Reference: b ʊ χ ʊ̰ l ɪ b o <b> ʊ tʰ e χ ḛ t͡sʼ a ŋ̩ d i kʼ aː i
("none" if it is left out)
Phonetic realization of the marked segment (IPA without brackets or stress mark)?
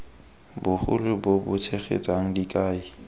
b